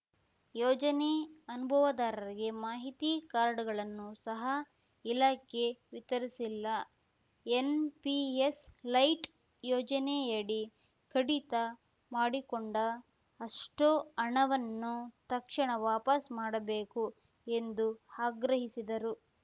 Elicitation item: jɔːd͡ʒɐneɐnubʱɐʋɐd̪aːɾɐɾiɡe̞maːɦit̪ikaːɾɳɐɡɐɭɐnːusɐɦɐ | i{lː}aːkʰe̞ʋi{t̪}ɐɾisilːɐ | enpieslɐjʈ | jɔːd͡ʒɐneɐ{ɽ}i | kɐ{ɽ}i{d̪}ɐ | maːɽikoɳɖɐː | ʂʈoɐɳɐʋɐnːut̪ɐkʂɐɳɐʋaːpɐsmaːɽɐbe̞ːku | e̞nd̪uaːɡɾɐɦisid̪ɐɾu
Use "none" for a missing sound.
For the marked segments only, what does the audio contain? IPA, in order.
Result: l, t̪, ɽ, ɽ, t̪

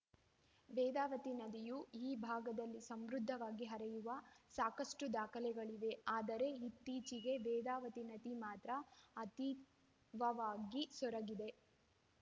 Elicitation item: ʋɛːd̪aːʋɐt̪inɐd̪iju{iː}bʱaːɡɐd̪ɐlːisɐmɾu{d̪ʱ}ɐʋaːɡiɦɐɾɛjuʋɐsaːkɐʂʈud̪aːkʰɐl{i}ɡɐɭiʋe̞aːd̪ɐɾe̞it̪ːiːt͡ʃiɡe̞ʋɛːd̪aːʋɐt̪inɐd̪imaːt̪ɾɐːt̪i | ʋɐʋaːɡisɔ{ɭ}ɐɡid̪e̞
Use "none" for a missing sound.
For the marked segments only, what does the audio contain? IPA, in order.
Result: iː, d̪ʱː, ɛ, ɾ

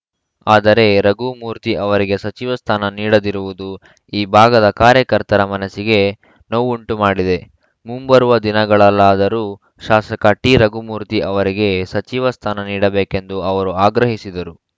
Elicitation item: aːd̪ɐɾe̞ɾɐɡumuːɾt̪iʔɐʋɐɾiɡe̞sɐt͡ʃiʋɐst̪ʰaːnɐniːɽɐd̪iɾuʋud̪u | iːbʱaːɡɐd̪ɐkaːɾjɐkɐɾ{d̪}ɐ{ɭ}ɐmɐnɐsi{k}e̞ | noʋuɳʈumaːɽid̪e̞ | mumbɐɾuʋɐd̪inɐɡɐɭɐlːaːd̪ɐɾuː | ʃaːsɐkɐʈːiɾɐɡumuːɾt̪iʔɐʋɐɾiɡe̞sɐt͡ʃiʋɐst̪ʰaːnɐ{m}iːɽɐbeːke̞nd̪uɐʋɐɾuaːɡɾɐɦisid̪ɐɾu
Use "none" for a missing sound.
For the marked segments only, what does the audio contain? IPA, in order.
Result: t̪, ɾ, ɡ, n

